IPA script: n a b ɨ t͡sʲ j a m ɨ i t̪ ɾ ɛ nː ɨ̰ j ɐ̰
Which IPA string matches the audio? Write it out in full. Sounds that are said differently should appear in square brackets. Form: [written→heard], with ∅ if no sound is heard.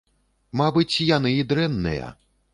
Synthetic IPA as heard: [n→m] a b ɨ t͡sʲ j a [m→n] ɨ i [t̪→d̪] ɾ ɛ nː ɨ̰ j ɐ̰